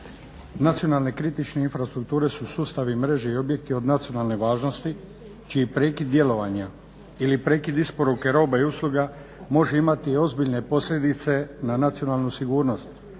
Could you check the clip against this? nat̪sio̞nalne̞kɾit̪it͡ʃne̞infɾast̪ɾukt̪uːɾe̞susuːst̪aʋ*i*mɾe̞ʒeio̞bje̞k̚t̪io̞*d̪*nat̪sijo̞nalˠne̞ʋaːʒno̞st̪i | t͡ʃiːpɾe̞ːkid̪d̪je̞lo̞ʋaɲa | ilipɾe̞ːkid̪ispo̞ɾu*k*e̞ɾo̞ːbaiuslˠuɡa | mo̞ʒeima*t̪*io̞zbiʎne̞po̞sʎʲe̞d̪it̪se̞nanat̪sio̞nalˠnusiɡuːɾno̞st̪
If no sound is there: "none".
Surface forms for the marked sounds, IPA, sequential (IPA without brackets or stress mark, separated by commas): i, d̪, k, t̪